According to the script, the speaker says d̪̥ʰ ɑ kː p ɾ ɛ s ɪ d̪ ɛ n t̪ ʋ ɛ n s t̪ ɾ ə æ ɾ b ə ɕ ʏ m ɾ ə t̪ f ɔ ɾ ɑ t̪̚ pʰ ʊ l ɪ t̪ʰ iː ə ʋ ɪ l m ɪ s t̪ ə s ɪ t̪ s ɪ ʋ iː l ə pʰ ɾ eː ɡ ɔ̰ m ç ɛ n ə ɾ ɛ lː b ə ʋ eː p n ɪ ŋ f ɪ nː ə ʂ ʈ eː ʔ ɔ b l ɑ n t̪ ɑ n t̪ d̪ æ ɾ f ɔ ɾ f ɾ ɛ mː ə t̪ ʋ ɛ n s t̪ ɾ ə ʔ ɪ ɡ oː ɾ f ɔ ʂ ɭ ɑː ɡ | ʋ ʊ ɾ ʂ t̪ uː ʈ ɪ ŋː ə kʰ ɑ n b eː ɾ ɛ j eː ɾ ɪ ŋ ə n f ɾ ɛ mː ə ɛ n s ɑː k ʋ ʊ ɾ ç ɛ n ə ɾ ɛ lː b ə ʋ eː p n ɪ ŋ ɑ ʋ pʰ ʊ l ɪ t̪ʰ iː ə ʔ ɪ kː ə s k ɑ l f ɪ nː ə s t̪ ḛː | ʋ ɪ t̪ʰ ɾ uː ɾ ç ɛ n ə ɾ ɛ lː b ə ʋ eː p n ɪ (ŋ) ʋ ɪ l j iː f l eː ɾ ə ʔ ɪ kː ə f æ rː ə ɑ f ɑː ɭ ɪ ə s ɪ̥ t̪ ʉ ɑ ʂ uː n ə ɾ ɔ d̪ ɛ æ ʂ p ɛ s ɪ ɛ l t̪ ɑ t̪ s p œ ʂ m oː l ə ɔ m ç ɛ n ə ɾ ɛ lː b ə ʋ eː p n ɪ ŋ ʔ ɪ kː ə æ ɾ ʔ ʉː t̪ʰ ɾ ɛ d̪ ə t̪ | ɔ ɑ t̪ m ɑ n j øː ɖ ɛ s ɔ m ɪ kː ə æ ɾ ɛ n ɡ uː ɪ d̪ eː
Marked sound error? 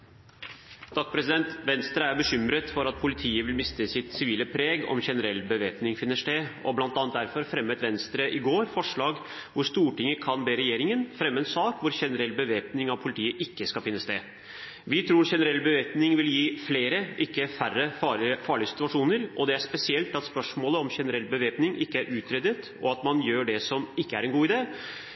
no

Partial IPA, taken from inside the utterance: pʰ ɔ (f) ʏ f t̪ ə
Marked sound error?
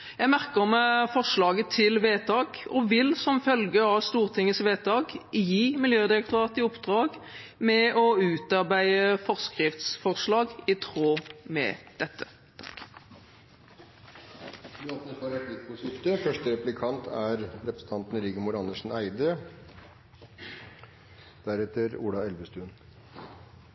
yes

